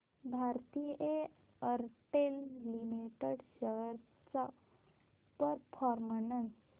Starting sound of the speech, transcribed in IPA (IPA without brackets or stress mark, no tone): bʱ